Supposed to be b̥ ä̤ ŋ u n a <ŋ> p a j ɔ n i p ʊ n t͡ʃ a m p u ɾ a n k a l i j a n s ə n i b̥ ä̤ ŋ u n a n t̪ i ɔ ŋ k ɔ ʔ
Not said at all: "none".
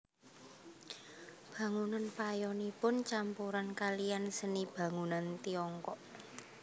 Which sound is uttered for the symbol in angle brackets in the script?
n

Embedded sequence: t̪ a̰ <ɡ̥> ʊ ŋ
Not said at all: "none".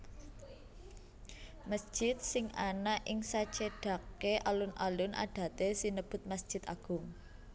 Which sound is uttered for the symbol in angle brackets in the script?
ɡ̥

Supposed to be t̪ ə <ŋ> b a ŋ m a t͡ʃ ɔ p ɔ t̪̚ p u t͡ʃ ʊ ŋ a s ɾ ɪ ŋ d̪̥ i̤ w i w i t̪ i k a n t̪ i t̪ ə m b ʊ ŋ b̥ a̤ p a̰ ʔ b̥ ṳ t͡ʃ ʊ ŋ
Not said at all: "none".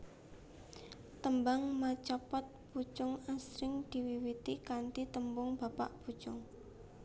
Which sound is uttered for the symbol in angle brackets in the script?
m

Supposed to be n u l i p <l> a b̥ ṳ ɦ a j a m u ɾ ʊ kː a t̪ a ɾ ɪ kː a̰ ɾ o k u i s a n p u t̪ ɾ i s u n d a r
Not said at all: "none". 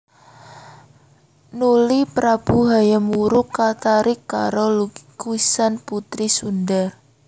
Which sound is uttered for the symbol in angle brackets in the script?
ɾ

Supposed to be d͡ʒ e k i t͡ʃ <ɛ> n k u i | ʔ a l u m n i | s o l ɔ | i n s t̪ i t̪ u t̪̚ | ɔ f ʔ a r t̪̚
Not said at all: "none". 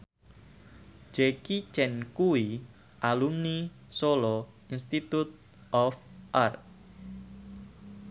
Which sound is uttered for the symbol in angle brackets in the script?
ɛ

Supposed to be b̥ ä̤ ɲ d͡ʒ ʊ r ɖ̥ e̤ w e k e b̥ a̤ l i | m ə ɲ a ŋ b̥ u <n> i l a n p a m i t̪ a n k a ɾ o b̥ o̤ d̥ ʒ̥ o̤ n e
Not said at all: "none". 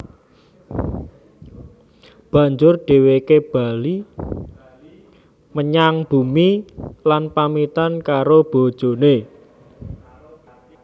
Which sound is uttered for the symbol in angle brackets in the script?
m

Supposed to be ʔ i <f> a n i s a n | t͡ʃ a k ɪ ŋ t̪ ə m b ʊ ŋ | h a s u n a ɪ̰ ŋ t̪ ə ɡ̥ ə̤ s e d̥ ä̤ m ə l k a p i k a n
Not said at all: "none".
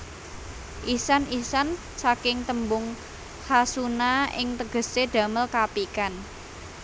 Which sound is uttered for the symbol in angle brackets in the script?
s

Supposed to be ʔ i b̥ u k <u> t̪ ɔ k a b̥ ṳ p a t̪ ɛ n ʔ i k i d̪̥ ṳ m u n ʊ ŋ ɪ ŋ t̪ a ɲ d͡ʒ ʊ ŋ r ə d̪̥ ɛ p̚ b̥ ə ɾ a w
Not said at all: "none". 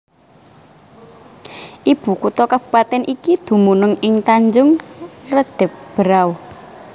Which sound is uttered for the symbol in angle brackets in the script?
u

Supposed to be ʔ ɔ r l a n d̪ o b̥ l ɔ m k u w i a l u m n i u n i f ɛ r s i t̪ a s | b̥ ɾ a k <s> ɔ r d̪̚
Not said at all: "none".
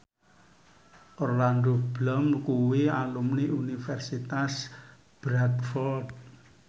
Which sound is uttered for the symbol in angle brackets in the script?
f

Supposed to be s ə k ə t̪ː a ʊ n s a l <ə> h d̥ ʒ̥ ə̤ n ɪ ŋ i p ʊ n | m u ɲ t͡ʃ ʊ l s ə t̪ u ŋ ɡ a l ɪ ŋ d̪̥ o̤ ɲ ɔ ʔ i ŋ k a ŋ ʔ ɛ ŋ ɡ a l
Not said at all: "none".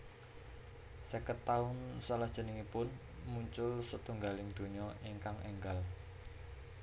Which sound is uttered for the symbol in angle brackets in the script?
a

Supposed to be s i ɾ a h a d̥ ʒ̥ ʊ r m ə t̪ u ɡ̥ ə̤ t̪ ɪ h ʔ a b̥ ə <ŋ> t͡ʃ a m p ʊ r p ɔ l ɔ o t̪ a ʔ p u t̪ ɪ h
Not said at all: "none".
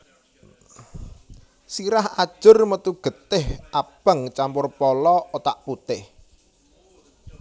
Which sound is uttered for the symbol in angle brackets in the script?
ŋ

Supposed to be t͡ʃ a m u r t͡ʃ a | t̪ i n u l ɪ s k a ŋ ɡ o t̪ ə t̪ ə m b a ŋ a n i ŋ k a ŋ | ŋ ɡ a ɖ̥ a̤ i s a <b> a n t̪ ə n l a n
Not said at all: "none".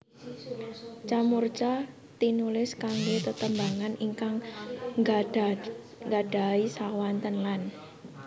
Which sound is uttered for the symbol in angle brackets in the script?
w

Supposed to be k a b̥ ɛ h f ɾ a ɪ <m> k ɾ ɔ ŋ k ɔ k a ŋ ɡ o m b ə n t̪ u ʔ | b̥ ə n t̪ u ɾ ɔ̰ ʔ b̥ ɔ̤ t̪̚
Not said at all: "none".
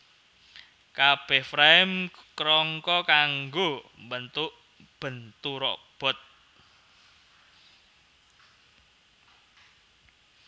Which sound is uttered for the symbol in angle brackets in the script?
m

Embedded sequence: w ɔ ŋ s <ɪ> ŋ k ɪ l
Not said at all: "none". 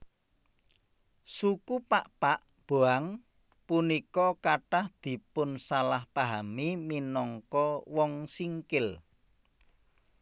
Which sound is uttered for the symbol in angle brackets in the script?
i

